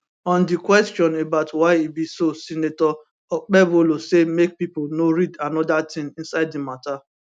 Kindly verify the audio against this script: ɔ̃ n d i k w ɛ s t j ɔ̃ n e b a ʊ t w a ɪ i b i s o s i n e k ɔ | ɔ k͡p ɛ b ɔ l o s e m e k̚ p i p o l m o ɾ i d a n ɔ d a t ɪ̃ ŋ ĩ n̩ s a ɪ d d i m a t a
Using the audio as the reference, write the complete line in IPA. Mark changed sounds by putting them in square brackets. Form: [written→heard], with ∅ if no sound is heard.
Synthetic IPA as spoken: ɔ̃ n d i k w ɛ s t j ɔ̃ n e b a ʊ t w a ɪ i b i s o s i n e [k→t] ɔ | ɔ k͡p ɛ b [ɔ→o] l o s e m e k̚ p i p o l [m→n] o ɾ i d a n ɔ d a t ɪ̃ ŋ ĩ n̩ s a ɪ d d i m a t a